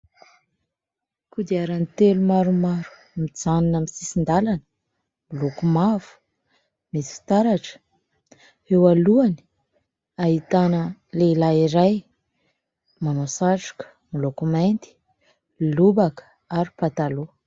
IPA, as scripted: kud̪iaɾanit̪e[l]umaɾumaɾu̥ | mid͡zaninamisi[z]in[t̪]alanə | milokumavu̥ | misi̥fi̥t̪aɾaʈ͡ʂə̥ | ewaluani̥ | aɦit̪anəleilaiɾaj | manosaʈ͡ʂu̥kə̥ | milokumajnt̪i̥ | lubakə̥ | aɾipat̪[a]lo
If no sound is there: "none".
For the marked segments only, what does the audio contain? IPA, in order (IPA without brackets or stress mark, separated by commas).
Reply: l, s, d̪, a